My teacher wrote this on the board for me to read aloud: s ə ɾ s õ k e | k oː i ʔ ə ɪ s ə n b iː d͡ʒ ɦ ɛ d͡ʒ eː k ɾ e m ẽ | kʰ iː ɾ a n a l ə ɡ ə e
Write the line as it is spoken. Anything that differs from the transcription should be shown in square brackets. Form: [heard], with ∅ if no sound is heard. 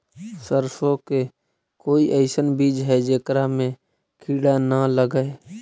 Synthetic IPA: s ə ɾ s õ k e | k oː i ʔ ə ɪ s ə n b iː d͡ʒ ɦ ɛ d͡ʒ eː k ɾ [a] m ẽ | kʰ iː [ɽ] a n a l ə ɡ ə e